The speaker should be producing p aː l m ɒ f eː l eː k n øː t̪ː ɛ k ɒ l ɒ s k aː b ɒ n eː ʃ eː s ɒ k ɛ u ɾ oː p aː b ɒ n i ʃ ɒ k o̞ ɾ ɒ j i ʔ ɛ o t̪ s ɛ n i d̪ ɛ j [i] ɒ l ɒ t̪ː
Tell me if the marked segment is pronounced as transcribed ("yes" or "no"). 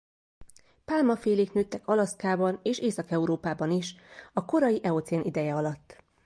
no